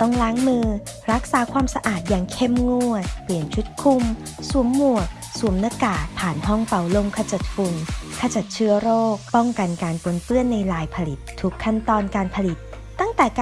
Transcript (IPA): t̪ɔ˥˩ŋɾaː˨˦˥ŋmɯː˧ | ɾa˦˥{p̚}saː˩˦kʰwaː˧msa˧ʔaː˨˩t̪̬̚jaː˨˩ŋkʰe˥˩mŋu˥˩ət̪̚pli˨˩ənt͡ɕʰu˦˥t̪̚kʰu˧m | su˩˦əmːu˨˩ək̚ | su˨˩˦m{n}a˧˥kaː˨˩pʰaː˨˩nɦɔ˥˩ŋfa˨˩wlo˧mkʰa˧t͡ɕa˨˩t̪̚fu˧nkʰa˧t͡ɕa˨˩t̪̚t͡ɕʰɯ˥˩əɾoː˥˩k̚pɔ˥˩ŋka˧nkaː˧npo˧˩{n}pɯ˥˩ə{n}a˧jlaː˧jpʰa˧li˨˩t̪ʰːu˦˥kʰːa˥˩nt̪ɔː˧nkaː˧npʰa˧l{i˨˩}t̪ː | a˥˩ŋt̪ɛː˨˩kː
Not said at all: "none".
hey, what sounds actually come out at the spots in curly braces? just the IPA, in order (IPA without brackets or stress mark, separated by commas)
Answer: k̚, n, n, nː, i˨˩